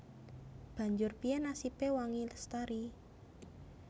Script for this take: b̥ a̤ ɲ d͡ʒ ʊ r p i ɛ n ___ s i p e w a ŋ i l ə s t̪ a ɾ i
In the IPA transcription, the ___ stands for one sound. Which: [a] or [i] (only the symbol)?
a